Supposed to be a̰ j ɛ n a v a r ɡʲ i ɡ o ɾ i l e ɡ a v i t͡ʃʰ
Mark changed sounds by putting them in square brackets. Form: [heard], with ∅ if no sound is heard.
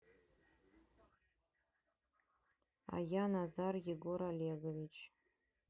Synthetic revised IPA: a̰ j [a] n a [z] a r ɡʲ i ɡ o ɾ [a] l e ɡ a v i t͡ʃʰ